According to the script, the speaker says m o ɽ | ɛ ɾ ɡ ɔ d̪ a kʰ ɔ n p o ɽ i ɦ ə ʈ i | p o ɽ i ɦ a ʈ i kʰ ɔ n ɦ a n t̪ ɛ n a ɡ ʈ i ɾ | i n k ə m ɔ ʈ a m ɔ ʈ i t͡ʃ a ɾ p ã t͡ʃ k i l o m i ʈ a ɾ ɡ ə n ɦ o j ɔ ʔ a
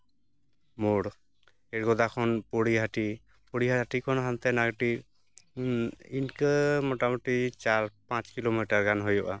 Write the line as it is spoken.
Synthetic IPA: m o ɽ | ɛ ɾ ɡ ɔ d̪ a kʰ ɔ n p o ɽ i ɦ a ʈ i | p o ɽ i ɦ a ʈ i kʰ ɔ n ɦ a n t̪ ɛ n a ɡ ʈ i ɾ | i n k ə m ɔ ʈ a m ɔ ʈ i t͡ʃ a ɾ p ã t͡ʃ k i l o m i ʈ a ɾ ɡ a n ɦ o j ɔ ʔ a